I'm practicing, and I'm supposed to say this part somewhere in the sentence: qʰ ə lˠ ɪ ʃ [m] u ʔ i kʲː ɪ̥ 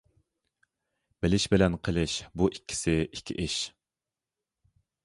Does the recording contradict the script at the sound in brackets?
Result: yes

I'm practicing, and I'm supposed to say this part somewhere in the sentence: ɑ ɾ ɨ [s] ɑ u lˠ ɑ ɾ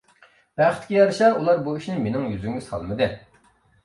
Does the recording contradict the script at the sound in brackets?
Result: yes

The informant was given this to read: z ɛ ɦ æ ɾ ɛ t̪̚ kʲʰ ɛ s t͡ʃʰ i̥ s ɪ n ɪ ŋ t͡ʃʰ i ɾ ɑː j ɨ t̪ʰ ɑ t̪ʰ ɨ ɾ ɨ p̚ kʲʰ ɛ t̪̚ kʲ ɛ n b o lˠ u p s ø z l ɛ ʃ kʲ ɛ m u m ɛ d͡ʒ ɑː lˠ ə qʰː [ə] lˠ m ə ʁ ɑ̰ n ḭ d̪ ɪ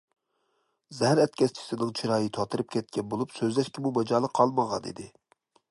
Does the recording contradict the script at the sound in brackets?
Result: yes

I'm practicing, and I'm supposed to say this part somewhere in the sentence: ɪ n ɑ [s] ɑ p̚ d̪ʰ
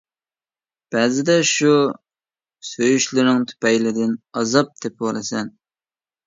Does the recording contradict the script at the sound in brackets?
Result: yes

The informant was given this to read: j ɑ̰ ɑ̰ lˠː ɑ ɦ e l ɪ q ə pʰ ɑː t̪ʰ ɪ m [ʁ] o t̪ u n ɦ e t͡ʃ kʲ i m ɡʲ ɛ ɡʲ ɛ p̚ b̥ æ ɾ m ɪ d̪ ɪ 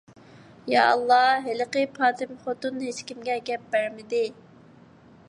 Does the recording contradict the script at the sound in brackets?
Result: yes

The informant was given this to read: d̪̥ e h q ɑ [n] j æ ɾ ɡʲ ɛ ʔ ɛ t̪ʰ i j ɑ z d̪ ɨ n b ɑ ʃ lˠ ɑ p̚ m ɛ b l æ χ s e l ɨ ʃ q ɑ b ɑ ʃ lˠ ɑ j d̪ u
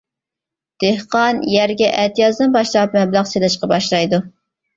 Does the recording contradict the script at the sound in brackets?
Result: no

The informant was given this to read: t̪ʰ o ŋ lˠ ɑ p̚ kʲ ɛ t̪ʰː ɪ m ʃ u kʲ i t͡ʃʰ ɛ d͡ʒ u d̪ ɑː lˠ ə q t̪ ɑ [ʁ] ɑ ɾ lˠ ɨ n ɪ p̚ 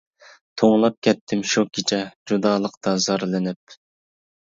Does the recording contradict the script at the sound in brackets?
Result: yes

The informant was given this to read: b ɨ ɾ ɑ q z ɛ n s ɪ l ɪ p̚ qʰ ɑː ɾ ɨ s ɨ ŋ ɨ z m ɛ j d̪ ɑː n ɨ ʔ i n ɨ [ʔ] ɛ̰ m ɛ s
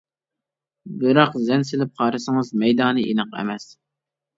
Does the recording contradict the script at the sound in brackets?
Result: yes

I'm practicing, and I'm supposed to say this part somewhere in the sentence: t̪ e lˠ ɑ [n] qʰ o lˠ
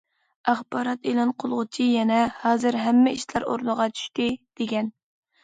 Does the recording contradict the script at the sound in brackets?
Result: no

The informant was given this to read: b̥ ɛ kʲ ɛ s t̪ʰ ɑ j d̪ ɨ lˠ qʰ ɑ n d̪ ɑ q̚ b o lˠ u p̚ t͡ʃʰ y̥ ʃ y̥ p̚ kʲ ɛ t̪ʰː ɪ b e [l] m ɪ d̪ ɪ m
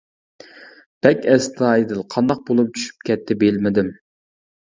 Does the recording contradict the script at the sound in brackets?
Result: no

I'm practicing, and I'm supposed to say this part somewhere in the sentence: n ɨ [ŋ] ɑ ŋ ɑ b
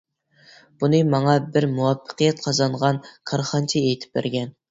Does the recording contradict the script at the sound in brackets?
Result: yes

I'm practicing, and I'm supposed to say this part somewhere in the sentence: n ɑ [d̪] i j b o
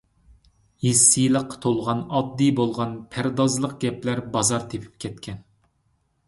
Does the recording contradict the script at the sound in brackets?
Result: yes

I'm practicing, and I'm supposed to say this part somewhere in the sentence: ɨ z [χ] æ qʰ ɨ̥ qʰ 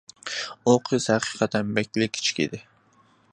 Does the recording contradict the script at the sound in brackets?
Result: yes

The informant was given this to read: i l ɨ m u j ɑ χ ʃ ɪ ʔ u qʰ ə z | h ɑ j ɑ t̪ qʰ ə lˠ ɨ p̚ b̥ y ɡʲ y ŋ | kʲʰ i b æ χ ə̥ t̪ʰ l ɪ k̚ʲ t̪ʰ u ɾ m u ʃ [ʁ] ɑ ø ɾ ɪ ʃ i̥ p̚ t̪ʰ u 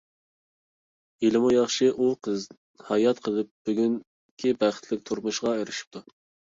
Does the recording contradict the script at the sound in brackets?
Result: no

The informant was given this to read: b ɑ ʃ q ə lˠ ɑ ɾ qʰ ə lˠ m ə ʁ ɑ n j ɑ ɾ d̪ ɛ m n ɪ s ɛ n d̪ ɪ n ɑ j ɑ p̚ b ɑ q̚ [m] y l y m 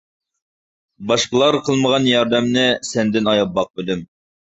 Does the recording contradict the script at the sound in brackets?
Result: yes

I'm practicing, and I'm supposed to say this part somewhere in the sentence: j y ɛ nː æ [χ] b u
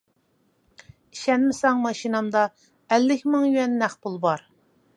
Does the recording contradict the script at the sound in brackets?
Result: no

